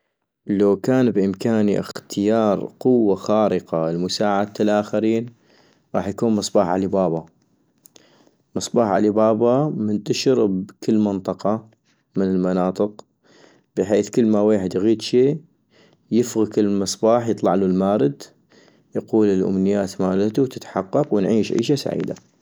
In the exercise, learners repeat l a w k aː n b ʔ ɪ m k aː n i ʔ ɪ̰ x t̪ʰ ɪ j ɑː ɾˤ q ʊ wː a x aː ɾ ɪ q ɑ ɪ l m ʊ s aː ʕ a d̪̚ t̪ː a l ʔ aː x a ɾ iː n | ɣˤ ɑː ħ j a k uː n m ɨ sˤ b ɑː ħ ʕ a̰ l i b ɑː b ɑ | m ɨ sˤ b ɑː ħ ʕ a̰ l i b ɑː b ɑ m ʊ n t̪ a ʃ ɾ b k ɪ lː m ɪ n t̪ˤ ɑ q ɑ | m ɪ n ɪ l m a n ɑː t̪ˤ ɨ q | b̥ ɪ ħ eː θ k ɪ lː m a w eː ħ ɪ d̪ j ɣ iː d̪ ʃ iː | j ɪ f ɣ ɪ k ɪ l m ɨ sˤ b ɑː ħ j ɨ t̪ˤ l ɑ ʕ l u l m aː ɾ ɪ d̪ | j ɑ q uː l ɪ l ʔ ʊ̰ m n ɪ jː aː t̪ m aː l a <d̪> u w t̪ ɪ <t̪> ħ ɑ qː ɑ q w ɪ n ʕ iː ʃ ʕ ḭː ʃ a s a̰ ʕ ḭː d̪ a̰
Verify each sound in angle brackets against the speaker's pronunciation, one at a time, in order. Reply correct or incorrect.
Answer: incorrect: t̪, correct

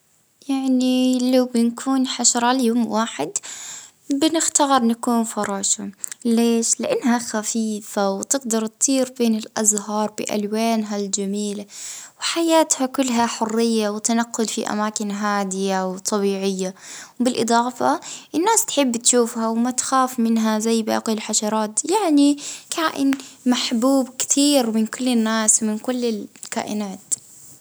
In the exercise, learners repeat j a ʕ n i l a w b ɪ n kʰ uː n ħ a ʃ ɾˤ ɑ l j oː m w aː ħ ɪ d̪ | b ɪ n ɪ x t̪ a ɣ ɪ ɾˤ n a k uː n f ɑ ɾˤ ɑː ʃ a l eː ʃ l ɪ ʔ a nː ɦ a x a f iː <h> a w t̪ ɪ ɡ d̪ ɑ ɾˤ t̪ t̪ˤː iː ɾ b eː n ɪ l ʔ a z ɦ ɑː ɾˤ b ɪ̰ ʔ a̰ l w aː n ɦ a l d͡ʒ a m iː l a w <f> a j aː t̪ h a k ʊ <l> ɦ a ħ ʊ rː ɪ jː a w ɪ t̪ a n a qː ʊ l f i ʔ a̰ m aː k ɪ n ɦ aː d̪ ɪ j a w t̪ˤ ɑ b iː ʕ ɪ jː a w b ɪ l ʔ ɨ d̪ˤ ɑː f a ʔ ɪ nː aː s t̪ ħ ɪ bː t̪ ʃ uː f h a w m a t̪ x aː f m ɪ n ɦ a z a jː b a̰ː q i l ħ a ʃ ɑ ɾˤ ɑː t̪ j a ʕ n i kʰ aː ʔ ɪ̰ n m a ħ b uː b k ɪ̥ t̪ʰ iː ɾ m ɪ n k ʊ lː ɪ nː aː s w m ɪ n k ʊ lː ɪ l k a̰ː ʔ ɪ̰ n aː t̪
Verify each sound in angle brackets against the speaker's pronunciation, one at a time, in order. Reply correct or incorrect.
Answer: incorrect: f, incorrect: ħ, incorrect: lː

